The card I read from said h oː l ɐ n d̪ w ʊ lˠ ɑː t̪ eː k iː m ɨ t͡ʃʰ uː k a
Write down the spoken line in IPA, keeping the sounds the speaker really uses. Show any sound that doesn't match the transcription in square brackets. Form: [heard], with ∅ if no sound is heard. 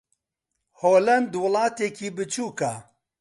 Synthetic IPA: h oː l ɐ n d̪ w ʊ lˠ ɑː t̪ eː k iː [b] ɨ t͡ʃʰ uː k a